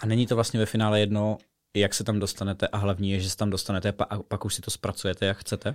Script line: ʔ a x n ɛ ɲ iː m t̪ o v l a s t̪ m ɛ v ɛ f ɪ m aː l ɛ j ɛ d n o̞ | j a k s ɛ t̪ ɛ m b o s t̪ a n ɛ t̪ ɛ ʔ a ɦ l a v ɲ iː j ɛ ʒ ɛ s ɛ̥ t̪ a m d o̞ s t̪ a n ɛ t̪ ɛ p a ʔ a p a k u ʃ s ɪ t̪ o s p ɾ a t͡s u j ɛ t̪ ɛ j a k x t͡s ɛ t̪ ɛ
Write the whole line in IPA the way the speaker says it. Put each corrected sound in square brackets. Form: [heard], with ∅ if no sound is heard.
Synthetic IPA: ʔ a [∅] n ɛ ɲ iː [∅] t̪ o v l a s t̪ [ɲ] ɛ v ɛ f ɪ [n] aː l ɛ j ɛ d n o̞ | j a k s ɛ t̪ [a] m [d] o s t̪ a n ɛ t̪ ɛ ʔ a ɦ l a v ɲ iː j ɛ ʒ ɛ s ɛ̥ t̪ a m d o̞ s t̪ a n ɛ t̪ ɛ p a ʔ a p a k u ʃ s ɪ t̪ o s p ɾ a t͡s u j ɛ t̪ ɛ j a k x t͡s ɛ t̪ ɛ